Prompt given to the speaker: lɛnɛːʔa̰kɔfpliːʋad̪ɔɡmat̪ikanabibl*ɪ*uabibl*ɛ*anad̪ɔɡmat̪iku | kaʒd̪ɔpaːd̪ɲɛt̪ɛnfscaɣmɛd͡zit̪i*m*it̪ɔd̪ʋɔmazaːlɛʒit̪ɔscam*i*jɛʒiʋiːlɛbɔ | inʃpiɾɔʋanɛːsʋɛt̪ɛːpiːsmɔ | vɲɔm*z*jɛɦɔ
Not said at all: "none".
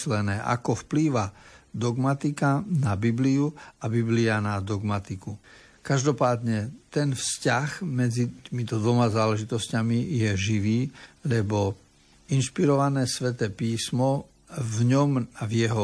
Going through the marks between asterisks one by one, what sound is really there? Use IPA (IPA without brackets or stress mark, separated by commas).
i, i, m, i, v